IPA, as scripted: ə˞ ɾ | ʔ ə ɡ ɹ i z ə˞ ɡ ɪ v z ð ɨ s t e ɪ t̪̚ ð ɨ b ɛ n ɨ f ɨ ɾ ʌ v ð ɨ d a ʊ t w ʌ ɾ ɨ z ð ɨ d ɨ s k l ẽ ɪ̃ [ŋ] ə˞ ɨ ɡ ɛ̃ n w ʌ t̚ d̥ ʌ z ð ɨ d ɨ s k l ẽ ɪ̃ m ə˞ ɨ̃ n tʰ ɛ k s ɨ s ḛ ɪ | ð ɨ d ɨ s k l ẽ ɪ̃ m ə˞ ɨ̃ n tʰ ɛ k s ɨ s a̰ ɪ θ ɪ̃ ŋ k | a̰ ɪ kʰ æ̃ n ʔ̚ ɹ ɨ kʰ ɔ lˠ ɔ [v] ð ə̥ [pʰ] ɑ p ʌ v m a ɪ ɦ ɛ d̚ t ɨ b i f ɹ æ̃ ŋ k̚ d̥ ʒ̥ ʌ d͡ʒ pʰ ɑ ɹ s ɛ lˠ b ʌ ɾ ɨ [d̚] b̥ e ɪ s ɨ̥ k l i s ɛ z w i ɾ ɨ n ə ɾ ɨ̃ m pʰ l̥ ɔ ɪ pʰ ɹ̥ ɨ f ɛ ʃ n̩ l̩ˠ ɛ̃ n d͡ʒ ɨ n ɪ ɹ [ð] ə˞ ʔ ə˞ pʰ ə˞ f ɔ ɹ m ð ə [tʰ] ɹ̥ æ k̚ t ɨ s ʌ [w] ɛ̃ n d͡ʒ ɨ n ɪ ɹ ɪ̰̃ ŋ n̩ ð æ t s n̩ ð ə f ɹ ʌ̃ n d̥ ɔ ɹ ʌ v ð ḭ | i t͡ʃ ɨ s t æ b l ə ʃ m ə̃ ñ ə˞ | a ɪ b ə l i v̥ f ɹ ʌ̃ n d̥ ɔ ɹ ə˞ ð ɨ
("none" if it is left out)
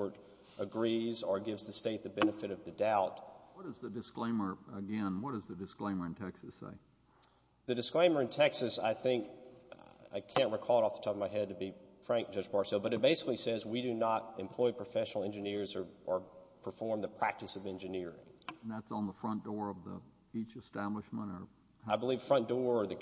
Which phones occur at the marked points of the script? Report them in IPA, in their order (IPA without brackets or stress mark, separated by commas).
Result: m, f, tʰ, t̚, z, pʰ, v